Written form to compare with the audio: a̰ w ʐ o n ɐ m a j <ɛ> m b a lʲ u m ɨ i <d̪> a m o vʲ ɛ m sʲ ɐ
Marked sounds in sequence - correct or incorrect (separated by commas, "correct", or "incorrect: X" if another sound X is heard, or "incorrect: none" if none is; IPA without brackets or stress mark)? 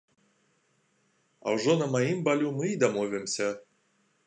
incorrect: i, correct